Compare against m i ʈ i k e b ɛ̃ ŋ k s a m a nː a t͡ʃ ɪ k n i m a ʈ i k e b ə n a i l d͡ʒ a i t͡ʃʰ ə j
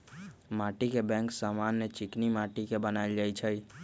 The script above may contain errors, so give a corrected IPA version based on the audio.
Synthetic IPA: m a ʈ i k e b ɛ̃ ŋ k s a m a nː e t͡ʃ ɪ k n i m a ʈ i k e b ə n a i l d͡ʒ a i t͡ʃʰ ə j